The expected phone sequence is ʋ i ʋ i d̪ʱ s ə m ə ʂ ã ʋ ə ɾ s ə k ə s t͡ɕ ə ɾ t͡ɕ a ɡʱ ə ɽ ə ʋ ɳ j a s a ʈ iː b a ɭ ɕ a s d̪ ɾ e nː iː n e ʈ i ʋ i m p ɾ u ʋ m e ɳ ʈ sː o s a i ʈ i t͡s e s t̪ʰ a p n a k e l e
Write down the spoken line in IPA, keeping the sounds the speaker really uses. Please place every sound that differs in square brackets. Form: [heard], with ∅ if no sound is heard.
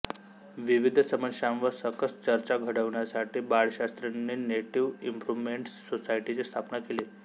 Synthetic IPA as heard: ʋ i ʋ i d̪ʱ s ə m ə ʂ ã ʋ ə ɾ s ə k ə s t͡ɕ ə ɾ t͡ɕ a ɡʱ ə ɽ ə ʋ ɳ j a s a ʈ iː b a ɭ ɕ a s [t̪] ɾ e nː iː n e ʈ i ʋ i m p ɾ u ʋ m e ɳ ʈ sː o s a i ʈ i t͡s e s t̪ʰ a p n a k e l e